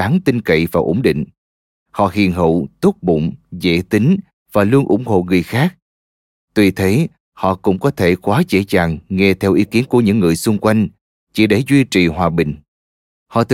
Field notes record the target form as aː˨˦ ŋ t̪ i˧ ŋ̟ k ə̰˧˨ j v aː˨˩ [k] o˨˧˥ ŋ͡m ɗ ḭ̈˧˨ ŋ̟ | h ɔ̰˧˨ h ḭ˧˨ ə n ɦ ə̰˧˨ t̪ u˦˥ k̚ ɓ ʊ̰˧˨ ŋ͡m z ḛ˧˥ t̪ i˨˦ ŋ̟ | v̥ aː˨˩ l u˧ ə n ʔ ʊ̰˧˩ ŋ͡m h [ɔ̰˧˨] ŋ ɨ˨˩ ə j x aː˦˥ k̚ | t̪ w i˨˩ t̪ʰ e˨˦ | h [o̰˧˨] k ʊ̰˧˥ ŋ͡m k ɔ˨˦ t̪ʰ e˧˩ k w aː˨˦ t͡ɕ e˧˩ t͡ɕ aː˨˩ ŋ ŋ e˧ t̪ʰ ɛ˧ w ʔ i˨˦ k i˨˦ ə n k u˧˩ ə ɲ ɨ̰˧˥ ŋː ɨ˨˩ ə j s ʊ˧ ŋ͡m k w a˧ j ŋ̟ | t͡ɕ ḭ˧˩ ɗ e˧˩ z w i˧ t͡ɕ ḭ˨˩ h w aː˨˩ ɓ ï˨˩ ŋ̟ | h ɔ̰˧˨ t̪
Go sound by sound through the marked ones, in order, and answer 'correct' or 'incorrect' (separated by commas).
incorrect, incorrect, incorrect